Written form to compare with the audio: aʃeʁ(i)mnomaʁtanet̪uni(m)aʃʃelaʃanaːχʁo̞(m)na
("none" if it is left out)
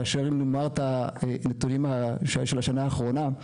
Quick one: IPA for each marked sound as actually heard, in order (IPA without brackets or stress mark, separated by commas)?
i, m, none